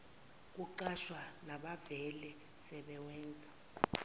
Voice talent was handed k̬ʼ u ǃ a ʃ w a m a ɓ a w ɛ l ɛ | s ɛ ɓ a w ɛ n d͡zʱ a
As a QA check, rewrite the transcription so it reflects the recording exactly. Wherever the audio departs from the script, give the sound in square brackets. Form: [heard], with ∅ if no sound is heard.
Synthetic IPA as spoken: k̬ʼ u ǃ a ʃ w a [n] a ɓ a [v] ɛ l ɛ | s ɛ ɓ [ɛ] w [ɛː] n d͡zʱ a